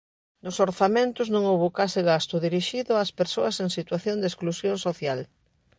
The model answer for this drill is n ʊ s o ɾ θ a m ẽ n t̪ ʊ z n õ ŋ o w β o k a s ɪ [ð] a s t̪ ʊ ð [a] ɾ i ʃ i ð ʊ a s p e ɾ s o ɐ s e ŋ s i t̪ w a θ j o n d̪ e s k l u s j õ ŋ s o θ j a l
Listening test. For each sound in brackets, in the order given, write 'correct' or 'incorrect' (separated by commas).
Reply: incorrect, incorrect